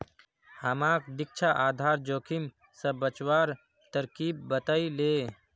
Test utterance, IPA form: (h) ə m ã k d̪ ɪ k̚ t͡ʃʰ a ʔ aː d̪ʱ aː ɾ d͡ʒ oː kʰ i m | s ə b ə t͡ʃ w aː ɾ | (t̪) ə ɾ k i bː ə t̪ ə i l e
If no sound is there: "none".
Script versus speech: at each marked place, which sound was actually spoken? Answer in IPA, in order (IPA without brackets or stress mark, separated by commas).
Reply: h, t̪